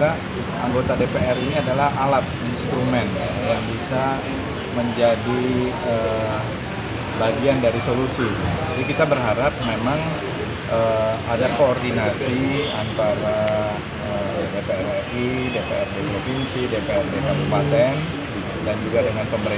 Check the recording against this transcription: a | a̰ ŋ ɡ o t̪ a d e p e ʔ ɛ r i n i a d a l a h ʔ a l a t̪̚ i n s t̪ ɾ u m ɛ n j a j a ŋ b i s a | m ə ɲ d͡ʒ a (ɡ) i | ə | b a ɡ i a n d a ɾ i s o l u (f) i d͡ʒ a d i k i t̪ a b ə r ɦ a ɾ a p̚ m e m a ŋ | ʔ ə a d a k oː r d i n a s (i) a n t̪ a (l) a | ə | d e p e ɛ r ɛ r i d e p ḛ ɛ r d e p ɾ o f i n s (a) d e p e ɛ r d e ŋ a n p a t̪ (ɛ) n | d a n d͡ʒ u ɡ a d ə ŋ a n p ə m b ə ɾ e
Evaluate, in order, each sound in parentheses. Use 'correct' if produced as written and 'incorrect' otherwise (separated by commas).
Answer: incorrect, incorrect, correct, incorrect, incorrect, correct